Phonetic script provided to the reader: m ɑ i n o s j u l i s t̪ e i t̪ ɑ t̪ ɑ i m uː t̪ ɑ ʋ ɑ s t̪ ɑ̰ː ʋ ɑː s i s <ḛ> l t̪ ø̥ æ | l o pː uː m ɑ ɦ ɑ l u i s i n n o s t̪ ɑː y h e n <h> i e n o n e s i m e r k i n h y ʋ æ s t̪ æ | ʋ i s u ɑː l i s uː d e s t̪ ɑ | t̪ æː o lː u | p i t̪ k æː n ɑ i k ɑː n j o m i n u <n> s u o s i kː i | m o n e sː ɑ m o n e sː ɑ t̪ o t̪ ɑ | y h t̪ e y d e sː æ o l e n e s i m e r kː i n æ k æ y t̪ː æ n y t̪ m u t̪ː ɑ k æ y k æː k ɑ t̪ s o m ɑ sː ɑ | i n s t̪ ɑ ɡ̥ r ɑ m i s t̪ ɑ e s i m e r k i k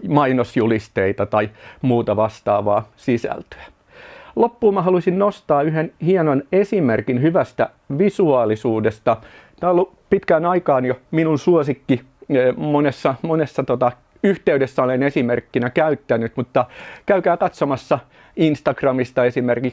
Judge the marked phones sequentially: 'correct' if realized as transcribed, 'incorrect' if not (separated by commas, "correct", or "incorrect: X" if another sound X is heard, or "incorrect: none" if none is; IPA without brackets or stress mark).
incorrect: æ̰, correct, correct